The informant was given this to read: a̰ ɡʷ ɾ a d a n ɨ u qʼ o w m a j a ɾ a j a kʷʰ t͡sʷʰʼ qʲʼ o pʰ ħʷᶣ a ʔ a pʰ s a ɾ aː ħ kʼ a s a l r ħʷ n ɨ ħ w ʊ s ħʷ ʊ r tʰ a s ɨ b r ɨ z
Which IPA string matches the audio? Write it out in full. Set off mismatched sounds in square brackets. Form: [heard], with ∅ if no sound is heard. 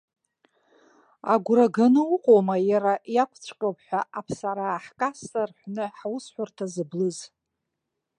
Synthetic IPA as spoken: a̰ ɡʷ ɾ a [ɡ] a n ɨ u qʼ o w m a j a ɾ a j a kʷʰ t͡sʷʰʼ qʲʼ o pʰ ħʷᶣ a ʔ a pʰ s a ɾ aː ħ kʼ a s a [∅] r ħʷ n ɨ ħ w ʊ s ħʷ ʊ r tʰ a [z] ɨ b [l] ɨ z

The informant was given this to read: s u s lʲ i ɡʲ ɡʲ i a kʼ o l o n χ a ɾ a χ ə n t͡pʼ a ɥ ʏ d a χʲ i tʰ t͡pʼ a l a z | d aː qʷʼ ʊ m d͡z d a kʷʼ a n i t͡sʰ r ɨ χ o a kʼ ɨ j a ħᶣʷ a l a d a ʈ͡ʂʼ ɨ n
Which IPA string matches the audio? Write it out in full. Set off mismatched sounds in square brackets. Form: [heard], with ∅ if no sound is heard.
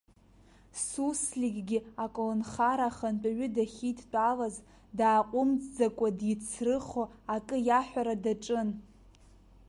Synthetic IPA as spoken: s u s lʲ i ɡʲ ɡʲ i a kʼ o l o n χ a ɾ a χ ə n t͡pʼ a ɥ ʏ d a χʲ i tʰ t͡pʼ a l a z | d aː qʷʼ ʊ m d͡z [d͡z] a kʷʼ a [d] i t͡sʰ r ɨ χ o a kʼ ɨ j a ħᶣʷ a [ɾ] a d a ʈ͡ʂʼ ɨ n

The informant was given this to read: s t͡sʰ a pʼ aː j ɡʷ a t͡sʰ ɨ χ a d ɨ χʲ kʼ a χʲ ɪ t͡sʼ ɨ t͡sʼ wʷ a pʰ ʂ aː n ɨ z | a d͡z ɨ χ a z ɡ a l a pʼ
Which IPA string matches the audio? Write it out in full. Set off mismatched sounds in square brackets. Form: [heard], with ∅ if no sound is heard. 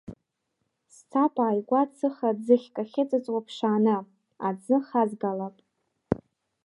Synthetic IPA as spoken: s t͡sʰ a pʼ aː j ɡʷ a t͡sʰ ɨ χ a [d͡z] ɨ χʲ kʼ a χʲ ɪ t͡sʼ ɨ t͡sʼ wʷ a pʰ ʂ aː n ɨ [∅] | a d͡z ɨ χ a z ɡ a l a pʼ

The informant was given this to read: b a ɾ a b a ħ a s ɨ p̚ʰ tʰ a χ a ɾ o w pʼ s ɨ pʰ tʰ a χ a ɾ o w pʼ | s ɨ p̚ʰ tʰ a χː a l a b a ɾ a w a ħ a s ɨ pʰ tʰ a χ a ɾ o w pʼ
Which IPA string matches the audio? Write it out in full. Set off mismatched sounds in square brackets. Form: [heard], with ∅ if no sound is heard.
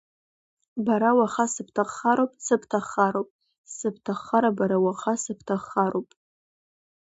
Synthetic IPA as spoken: b a ɾ a [w] a [χ] a s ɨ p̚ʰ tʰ a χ a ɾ o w pʼ s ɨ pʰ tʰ a χ a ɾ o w pʼ | s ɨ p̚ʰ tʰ a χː a [ɾ] a b a ɾ a w a [χ] a s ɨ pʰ tʰ a χ a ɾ o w pʼ

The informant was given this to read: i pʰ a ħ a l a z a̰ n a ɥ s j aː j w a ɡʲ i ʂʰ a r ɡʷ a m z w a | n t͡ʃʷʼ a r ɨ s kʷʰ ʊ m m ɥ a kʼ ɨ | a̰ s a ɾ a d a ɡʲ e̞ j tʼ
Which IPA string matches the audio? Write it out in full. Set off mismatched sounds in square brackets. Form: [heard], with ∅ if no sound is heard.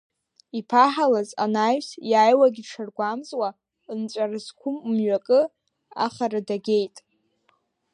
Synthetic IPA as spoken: i pʰ a ħ a l a z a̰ n a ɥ s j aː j w a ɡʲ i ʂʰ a r ɡʷ a m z w a | n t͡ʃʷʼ a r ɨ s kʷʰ ʊ m m ɥ a kʼ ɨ | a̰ [χ] a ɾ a d a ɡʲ e̞ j tʼ

